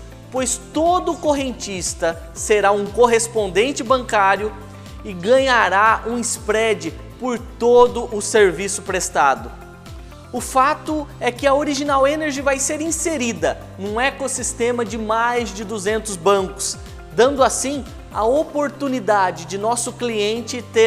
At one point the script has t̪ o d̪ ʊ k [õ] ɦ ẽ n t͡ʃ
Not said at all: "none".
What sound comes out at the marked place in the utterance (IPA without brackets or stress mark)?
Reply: o